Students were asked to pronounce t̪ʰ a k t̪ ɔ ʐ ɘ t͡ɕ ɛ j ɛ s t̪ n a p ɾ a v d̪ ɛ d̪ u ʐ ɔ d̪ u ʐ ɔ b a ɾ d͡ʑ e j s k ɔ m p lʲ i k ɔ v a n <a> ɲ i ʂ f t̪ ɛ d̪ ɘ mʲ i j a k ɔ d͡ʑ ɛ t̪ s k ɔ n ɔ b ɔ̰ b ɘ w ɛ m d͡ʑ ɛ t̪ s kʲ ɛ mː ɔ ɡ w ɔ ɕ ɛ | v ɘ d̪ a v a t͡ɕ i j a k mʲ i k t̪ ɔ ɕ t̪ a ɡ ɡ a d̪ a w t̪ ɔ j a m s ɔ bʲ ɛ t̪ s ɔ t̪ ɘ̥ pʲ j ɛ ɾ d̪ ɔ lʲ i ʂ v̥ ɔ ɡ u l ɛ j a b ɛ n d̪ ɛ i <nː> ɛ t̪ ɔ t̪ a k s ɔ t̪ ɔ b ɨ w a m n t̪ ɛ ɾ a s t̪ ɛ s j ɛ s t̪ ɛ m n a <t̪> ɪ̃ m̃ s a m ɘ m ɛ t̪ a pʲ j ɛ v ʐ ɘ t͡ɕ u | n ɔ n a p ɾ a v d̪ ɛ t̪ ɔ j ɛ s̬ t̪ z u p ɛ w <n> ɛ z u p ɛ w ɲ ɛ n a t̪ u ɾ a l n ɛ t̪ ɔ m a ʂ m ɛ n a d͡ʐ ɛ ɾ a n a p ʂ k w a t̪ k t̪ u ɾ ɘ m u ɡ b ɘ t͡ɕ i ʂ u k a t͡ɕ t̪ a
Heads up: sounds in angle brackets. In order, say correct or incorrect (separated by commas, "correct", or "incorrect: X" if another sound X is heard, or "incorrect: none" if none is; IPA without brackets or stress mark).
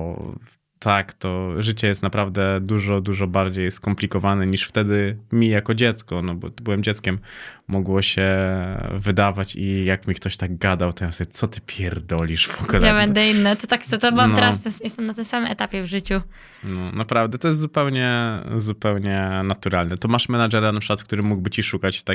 incorrect: ɛ, correct, correct, incorrect: ɲ